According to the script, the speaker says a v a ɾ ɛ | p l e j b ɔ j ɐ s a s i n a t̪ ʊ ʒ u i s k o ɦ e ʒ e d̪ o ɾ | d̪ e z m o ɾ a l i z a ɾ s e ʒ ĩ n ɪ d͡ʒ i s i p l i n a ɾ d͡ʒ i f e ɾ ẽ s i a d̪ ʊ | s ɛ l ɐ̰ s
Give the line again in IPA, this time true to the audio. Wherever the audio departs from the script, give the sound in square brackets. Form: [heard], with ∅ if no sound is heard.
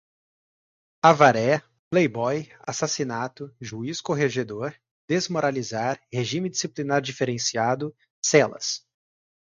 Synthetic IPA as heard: a v a ɾ ɛ | p l e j b ɔ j [a] s a s i n a t̪ ʊ ʒ u i s k o ɦ e ʒ e d̪ o ɾ | d̪ e z m o ɾ a l i z a ɾ [h] e ʒ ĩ [m] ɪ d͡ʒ i s i p l i n a ɾ d͡ʒ i f e ɾ ẽ s i a d̪ ʊ | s ɛ l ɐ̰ s